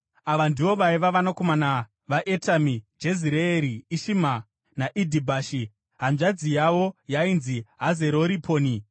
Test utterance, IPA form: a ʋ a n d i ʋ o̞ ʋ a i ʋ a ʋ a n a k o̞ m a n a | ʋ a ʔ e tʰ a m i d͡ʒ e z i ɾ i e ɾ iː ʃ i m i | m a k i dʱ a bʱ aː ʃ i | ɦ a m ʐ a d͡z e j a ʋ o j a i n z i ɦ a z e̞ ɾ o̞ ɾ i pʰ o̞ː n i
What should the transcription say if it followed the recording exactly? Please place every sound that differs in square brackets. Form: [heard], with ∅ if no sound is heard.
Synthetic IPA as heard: a ʋ a n d i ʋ o̞ ʋ a i ʋ a ʋ a n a k o̞ m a n a | ʋ a ʔ e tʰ a m i d͡ʒ e z i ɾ [e] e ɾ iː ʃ i m [a] | [n] a [ʔ] i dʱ [i] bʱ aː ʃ i | ɦ a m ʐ a d͡z [i] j a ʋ o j a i n z i ɦ a z e̞ ɾ o̞ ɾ i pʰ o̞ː n i